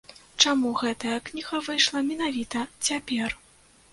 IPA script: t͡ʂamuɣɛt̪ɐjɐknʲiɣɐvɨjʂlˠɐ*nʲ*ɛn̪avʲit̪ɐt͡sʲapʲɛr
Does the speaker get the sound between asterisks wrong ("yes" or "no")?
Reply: yes